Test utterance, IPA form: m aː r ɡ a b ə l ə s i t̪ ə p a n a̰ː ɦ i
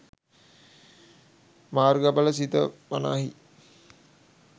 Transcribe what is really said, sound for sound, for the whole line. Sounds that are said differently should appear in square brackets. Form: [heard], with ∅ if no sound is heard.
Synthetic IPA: m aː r ɡ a b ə l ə s i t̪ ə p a n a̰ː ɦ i